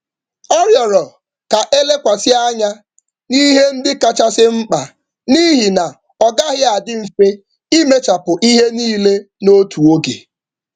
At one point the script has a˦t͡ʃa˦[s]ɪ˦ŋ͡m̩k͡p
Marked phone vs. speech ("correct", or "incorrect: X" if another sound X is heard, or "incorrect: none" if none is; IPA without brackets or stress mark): correct